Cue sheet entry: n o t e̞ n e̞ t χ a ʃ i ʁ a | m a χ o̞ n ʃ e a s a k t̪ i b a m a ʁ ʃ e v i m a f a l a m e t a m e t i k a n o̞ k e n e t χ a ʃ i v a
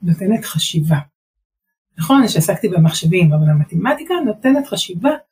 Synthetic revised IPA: n o t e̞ n e̞ t χ a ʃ i v a | n a χ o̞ n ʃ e a s a k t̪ i b e m a χ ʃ e v i m a v a l a m a t e m a t i k a n o̞ t e n e t χ a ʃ i v a